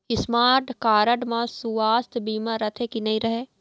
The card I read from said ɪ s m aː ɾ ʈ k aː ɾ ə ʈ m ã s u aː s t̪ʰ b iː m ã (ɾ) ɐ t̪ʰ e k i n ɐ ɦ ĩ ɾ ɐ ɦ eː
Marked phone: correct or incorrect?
correct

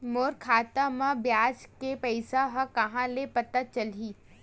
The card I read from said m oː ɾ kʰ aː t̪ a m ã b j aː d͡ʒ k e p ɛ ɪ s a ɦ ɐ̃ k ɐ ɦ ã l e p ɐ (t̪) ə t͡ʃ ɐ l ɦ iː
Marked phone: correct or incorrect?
correct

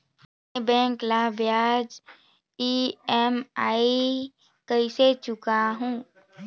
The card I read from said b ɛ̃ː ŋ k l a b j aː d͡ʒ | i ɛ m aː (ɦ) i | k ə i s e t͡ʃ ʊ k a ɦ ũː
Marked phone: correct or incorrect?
incorrect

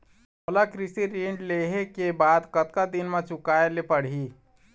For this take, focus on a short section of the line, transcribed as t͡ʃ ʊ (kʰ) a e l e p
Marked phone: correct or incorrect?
incorrect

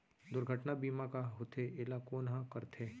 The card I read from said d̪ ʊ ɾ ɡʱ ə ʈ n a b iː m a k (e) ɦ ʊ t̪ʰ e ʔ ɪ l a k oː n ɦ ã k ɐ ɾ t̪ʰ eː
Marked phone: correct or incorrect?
incorrect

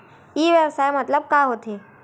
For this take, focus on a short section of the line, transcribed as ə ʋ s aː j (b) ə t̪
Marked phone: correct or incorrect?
incorrect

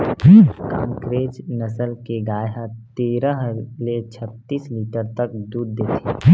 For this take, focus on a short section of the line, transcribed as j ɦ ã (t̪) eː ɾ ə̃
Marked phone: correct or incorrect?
correct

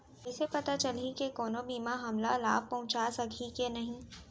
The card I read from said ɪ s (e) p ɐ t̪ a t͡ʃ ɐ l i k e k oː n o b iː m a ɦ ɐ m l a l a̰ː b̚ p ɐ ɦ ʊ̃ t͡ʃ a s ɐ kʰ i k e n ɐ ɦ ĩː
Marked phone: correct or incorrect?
correct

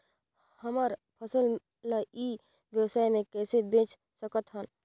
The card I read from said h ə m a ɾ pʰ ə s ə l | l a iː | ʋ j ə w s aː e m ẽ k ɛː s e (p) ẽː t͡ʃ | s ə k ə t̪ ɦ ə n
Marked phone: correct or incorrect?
incorrect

